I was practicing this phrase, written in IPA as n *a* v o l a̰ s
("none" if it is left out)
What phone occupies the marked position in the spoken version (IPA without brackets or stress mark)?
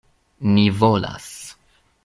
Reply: i